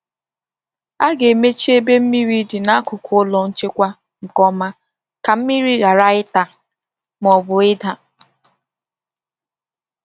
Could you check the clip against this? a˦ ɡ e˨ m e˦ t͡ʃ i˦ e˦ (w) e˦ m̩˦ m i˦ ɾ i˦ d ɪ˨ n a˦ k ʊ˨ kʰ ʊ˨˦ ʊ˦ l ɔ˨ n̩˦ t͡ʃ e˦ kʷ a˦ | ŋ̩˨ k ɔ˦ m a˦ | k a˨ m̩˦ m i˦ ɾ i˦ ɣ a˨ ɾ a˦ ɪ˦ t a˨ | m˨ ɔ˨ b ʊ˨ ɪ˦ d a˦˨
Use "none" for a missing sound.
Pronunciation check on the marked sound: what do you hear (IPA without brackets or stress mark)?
b